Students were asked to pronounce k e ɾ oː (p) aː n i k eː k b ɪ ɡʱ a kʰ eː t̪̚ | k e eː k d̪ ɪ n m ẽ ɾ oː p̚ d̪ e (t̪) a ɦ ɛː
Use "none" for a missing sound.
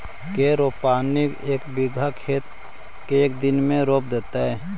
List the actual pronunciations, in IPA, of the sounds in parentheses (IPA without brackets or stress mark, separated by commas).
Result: p, t̪